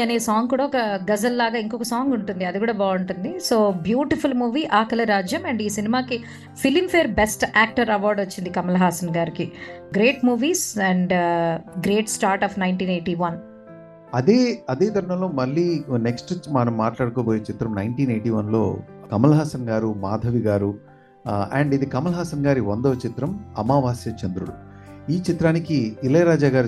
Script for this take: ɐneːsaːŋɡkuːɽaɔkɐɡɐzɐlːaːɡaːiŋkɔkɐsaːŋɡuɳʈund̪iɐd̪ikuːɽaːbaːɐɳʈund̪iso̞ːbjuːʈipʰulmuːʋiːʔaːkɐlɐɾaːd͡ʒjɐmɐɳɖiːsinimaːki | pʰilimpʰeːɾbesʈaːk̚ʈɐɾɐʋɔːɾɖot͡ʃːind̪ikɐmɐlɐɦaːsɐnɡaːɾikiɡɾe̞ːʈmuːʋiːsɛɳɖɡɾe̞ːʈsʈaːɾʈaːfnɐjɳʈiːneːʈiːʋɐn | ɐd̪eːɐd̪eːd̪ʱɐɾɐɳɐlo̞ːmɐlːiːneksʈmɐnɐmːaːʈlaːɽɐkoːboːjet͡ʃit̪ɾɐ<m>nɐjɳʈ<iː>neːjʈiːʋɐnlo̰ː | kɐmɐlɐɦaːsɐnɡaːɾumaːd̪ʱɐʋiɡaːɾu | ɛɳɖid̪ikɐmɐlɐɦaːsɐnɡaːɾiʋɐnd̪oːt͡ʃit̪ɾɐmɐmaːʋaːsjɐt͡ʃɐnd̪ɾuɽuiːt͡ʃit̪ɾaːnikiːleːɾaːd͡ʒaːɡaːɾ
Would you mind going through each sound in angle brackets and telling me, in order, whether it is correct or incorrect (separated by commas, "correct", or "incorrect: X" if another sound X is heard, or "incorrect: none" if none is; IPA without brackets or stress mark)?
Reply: correct, correct